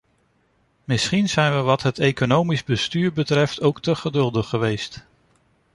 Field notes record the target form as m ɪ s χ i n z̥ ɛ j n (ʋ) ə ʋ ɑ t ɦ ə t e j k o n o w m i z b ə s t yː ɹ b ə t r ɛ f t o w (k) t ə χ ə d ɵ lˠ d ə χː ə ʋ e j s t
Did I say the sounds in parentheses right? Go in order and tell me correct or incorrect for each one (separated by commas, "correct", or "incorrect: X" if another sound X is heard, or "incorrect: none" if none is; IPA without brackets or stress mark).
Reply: correct, correct